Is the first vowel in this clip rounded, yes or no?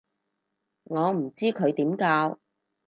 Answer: yes